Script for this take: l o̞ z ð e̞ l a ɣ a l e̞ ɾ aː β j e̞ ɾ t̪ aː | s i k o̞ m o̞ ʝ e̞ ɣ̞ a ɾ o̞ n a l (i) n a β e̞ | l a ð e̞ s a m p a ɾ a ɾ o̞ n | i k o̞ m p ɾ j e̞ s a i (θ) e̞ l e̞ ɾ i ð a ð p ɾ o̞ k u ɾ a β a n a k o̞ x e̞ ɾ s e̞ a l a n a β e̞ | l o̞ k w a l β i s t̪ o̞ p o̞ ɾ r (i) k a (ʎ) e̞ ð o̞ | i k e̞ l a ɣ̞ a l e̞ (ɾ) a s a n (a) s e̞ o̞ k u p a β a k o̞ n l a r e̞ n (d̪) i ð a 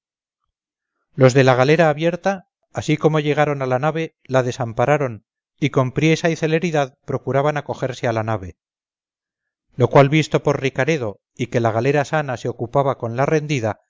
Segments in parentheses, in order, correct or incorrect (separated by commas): incorrect, correct, correct, incorrect, correct, correct, correct